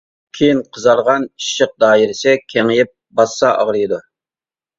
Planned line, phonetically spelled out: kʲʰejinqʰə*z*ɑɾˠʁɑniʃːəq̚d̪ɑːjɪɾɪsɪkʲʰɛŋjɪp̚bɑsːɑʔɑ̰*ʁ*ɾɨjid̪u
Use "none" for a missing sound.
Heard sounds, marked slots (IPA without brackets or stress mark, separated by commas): z, ʁ